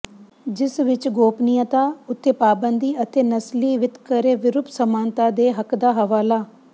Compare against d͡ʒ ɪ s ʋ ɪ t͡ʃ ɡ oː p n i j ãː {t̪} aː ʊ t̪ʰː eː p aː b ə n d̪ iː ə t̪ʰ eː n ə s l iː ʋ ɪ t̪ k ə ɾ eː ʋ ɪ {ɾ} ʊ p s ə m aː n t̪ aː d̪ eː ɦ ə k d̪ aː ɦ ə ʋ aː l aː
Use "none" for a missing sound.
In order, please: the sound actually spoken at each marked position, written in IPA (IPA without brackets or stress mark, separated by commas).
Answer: t̪, ɾ